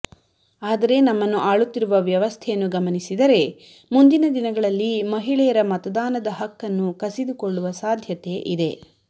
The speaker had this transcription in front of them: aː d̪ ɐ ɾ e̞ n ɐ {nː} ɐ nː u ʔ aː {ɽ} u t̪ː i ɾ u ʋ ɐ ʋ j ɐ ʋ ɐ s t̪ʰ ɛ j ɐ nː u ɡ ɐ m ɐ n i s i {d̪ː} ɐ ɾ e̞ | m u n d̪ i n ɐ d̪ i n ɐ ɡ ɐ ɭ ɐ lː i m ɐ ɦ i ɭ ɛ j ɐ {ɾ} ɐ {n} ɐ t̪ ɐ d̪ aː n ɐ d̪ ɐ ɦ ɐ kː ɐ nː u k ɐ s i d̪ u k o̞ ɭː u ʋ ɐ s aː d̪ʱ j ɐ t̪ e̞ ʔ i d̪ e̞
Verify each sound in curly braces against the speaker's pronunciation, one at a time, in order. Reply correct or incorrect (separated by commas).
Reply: incorrect, incorrect, incorrect, correct, incorrect